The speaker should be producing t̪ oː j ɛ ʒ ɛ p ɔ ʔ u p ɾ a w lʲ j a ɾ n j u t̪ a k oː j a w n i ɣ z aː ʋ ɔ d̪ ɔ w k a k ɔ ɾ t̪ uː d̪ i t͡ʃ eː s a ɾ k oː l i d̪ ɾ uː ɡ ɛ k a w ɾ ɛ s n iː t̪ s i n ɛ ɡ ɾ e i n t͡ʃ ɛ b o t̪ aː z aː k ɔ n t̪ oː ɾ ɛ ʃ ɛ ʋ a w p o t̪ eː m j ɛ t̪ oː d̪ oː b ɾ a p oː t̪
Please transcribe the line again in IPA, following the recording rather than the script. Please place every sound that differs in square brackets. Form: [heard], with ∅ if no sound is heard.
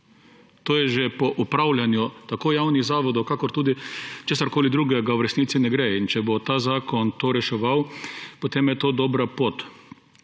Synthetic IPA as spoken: t̪ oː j ɛ ʒ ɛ p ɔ ʔ u p ɾ a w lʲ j a [∅] n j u t̪ a k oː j a w n i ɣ z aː ʋ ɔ d̪ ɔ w k a k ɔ ɾ t̪ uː d̪ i t͡ʃ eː s a ɾ k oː l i d̪ ɾ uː ɡ ɛ [ɡ] a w ɾ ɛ s n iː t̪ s i n ɛ ɡ ɾ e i n t͡ʃ ɛ b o t̪ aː z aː k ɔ n t̪ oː ɾ ɛ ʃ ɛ ʋ a w p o t̪ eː m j ɛ t̪ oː d̪ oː b ɾ a p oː t̪